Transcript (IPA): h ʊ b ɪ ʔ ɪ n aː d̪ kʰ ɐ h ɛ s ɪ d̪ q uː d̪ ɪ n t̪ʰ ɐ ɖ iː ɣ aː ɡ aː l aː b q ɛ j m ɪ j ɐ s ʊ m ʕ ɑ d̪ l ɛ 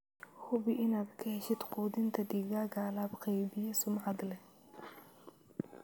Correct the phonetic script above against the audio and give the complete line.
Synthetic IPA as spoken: h ʊ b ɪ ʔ ɪ n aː d̪ kʰ ɐ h ɛ ʃ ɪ d̪ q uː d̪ ɪ n t̪ʰ ɐ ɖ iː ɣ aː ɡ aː l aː b q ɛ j b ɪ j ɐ s ʊ m ʕ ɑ d̪ l ɛ